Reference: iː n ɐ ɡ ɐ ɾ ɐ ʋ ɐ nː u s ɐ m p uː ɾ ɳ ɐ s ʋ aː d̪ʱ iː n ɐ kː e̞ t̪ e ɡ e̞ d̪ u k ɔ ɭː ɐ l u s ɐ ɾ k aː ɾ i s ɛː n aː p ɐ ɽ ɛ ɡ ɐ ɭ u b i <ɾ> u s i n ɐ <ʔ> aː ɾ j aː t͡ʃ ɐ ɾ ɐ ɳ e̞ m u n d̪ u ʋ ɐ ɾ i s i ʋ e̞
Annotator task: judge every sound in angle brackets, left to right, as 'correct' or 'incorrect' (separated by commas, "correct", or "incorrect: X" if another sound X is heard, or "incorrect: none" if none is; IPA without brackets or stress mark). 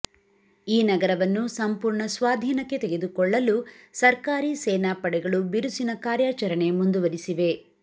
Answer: correct, incorrect: k